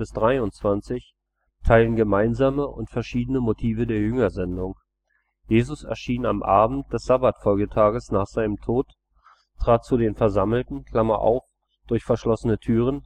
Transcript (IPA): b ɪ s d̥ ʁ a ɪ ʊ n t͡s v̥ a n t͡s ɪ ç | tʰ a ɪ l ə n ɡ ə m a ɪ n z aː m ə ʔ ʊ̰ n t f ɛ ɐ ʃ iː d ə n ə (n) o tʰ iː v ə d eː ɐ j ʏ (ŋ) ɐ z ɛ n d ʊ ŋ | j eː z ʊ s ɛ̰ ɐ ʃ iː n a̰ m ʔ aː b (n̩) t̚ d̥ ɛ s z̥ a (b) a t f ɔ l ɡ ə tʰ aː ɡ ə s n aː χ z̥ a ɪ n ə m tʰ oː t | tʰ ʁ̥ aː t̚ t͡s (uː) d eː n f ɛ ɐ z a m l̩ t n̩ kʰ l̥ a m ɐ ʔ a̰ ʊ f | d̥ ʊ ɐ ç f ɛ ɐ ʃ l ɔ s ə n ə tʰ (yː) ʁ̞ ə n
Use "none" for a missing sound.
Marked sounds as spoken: m, ŋ, m̩, b, u, yː

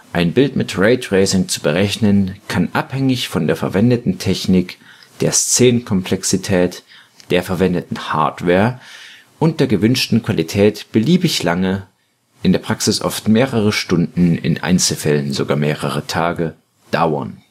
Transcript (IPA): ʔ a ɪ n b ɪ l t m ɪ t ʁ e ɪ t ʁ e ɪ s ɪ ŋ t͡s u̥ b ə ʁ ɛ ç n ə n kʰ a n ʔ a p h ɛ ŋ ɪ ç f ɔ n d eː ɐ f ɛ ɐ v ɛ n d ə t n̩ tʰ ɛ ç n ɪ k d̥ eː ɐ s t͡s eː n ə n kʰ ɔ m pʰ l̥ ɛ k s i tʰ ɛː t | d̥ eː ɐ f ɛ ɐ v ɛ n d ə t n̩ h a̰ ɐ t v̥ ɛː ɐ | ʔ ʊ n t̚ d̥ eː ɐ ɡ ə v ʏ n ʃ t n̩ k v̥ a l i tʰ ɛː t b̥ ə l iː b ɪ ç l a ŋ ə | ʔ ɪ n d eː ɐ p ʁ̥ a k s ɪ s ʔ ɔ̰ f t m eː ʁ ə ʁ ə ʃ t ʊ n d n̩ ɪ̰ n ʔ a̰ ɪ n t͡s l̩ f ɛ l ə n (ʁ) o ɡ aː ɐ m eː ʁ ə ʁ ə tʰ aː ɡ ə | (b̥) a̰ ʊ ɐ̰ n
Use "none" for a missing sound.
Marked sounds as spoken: z, d̥

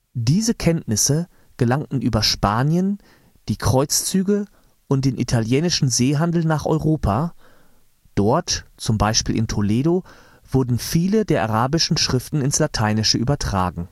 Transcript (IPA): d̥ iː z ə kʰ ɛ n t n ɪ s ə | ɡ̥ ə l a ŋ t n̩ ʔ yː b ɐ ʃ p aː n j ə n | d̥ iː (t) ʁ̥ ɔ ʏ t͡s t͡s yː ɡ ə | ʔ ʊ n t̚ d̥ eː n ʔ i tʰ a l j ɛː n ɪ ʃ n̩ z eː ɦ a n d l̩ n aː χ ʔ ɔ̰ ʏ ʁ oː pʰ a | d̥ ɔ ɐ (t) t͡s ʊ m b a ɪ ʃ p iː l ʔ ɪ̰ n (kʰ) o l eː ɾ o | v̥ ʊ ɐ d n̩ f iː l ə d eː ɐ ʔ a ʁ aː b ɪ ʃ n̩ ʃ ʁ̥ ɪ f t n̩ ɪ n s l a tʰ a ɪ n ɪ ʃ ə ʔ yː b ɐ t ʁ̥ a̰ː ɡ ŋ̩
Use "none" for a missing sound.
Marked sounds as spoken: k, t, tʰ

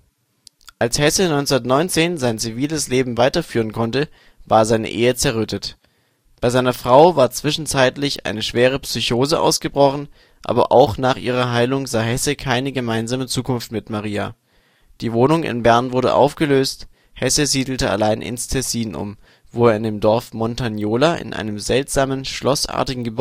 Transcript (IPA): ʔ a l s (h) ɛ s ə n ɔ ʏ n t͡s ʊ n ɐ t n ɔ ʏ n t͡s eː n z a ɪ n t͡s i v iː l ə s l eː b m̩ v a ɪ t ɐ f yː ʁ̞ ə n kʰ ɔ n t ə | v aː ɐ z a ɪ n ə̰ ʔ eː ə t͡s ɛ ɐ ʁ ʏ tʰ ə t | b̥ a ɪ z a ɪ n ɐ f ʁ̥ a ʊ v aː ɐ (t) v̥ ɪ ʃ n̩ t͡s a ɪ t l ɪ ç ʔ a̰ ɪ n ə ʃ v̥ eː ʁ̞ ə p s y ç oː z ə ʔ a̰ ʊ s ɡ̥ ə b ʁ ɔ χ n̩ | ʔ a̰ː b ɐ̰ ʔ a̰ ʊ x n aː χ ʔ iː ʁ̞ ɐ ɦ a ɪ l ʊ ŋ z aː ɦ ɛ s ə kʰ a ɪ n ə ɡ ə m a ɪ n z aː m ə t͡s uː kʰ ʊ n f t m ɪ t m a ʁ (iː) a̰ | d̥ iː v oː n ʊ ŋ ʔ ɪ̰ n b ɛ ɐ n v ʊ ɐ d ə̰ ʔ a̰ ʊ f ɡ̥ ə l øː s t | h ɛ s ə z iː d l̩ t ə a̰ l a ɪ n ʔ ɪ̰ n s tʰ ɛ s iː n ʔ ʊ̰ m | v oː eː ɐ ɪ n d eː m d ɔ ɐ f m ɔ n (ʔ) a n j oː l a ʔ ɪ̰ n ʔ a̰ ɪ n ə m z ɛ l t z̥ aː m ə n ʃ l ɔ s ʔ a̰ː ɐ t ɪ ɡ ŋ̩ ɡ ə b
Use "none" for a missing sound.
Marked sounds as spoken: h, t͡s, iː, t

